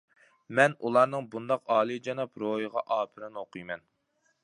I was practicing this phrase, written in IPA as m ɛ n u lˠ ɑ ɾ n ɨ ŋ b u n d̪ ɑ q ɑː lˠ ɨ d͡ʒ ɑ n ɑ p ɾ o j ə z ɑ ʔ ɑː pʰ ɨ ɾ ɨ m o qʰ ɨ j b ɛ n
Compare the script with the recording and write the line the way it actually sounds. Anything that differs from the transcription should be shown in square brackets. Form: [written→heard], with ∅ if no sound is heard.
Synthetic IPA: m ɛ n u lˠ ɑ ɾ n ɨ ŋ b u n d̪ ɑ q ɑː lˠ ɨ d͡ʒ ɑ n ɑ p ɾ o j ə [z→ʁ] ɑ ʔ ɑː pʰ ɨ ɾ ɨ [m→n] o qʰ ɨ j [b→m] ɛ n